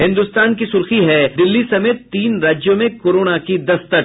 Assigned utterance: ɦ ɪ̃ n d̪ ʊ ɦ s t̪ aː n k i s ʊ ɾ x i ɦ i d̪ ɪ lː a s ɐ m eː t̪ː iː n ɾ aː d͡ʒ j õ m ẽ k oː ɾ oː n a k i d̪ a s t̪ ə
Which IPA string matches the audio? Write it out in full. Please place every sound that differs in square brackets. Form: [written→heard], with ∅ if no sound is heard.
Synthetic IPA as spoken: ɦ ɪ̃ n d̪ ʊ [ɦ→∅] s t̪ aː n k i s ʊ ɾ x i ɦ [i→ɛ] d̪ ɪ lː [a→i] s ɐ m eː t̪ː iː n ɾ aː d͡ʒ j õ m ẽ k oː ɾ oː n a k i d̪ [a→ɐ] s t̪ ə